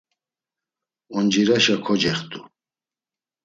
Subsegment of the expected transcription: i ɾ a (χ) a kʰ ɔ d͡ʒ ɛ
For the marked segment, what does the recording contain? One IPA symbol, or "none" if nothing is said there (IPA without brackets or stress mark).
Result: ʃ